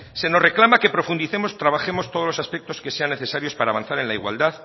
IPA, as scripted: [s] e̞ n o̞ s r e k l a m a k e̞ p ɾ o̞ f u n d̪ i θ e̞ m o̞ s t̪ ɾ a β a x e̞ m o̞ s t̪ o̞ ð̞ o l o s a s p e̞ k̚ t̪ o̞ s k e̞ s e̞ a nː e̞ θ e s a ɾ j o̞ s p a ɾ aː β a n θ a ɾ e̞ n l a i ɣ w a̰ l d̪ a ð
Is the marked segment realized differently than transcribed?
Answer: no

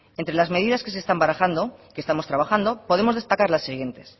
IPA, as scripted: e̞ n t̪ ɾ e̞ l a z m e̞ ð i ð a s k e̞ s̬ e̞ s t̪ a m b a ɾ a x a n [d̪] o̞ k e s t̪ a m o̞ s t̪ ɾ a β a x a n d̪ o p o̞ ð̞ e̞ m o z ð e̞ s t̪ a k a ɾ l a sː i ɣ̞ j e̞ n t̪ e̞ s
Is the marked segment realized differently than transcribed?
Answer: no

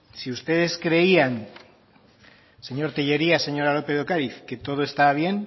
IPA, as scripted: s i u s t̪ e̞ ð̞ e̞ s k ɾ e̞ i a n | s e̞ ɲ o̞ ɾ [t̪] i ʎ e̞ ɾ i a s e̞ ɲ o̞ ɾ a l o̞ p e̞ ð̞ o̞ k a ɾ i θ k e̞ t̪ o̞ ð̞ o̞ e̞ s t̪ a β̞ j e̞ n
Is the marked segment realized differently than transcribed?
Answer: no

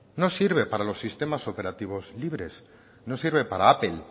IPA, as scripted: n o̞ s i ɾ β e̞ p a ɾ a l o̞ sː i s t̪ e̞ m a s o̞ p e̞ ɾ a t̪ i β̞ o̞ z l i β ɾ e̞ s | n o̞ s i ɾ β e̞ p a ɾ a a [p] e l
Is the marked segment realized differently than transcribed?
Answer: no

